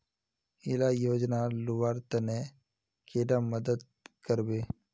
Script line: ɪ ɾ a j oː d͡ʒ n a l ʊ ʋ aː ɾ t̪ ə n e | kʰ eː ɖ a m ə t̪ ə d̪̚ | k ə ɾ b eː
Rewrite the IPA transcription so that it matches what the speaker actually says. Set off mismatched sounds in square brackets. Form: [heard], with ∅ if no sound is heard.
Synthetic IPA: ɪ [l] a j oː d͡ʒ n a l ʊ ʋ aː ɾ t̪ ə n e | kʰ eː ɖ a m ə [d̪] ə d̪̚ | k ə ɾ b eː

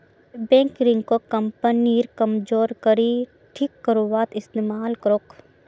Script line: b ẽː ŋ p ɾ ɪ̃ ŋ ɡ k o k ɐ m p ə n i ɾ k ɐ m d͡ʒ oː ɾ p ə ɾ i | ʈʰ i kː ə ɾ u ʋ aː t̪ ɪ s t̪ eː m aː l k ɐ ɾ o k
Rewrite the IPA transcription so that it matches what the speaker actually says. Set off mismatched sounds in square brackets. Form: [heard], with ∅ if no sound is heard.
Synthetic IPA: b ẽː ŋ [k] ɾ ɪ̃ ŋ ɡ k o k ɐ m p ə n i ɾ k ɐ m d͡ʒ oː ɾ [k] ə ɾ i | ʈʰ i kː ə ɾ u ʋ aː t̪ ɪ s t̪ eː m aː l k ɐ ɾ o k

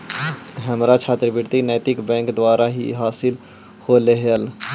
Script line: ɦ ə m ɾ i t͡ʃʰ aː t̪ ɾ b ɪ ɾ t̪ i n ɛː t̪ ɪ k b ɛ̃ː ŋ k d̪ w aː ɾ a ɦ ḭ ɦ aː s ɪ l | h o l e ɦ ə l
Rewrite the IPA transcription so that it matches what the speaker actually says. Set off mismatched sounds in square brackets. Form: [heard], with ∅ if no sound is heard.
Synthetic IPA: ɦ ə m ɾ [a] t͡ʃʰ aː t̪ ɾ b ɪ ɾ t̪ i n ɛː t̪ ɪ k b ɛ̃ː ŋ k d̪ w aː ɾ a ɦ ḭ ɦ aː s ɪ l | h o l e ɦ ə l

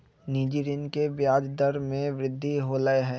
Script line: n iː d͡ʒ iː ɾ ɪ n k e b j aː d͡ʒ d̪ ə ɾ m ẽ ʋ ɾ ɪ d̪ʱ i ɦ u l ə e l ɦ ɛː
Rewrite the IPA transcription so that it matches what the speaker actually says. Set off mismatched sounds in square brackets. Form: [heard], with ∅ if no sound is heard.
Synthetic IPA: n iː d͡ʒ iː ɾ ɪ n k e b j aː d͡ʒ d̪ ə ɾ m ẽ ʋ ɾ ɪ [d̪ʱː] i ɦ [o] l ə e [∅] ɦ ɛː

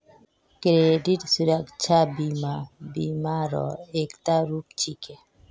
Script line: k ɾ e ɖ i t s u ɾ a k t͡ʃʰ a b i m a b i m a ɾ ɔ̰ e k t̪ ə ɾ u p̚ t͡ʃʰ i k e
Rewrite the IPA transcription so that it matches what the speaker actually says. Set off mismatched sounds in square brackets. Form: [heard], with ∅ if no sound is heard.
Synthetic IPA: k ɾ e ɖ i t s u ɾ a k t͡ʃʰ a b i m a b i m a ɾ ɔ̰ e k t̪ [a] ɾ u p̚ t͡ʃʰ i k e

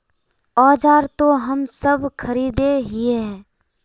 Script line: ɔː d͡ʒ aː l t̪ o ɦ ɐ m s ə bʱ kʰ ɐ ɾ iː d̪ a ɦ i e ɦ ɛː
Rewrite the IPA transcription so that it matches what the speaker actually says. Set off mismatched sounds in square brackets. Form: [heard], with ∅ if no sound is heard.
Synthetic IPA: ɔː d͡ʒ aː [ɾ] t̪ o ɦ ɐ m s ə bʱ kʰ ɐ ɾ iː d̪ [e] ɦ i e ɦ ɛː

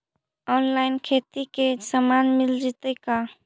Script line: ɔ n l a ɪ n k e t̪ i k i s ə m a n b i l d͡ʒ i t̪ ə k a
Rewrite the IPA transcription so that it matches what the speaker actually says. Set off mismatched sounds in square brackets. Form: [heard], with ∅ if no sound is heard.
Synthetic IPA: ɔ n l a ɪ n [kʰ] e t̪ i k [e] s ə m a n [m] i l d͡ʒ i t̪ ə k a

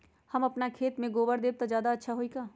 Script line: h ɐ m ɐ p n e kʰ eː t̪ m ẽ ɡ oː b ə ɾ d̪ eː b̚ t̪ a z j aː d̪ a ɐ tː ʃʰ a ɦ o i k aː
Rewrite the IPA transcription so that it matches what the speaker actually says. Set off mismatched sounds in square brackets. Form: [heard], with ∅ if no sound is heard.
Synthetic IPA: h ɐ m ɐ p n [a] kʰ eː t̪ m ẽ ɡ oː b ə ɾ d̪ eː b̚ t̪ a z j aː d̪ a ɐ tː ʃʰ a ɦ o i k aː

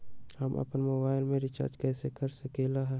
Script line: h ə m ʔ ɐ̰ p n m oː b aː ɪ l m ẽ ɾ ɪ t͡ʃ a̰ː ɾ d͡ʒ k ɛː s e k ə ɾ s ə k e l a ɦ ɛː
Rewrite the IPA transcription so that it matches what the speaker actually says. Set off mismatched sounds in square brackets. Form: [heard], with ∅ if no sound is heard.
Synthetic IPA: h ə m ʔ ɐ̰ p n m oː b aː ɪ l m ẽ ɾ ɪ t͡ʃ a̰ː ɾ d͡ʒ k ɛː s e k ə ɾ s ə k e l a ɦ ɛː

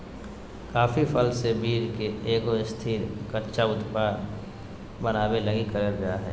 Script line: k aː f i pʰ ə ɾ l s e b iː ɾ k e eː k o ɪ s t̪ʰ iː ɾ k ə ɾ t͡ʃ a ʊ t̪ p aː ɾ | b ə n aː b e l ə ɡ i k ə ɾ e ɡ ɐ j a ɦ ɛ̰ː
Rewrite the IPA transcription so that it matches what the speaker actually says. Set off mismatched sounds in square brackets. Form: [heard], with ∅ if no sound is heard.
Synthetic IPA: k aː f i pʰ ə [∅] l s e b iː ɾ k e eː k o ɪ s t̪ʰ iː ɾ k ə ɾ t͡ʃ a ʊ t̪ p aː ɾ | b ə n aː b e l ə ɡ i k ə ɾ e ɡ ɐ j a ɦ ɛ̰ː

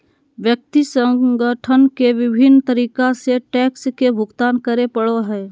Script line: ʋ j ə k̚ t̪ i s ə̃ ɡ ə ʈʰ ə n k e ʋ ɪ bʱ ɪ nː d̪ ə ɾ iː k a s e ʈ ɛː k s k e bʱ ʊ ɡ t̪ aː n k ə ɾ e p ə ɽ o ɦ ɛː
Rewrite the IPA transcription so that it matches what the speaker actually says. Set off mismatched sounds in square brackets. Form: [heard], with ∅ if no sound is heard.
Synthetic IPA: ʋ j ə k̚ t̪ i s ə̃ ɡ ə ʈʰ ə n k e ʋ ɪ bʱ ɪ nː [t̪] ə ɾ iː k a s e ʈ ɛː k s k e bʱ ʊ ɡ t̪ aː n k ə ɾ e p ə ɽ o ɦ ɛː

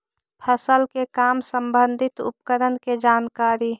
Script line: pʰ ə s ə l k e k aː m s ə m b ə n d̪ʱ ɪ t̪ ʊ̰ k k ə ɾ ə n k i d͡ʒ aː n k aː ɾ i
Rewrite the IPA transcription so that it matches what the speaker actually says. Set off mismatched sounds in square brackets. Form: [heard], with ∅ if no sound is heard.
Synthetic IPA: pʰ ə s ə l k e k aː m s ə m b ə n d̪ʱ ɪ t̪ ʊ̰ [p] k ə ɾ ə n k [e] d͡ʒ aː n k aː ɾ i

